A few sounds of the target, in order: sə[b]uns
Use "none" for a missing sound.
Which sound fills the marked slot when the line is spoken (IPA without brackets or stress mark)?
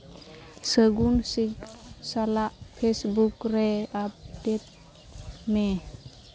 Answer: ɡ